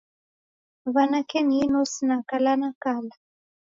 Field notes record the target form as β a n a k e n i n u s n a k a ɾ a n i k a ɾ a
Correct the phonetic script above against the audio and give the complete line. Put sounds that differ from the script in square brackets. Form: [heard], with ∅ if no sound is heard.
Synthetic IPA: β a n a k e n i n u s n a k a [l] a n [a] k a [l] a